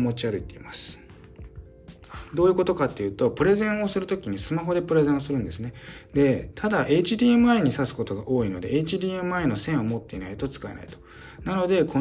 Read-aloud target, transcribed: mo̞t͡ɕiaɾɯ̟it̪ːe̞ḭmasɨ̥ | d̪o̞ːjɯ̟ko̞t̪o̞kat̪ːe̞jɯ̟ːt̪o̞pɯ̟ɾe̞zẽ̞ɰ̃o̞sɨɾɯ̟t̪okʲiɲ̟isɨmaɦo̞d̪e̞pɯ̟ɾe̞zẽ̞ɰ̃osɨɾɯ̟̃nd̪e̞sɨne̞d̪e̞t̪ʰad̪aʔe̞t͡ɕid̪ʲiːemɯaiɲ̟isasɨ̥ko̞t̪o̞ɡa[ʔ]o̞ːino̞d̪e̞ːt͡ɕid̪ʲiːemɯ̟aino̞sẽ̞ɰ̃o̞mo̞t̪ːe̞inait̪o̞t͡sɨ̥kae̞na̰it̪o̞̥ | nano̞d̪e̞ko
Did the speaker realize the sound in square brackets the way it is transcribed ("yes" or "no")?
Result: yes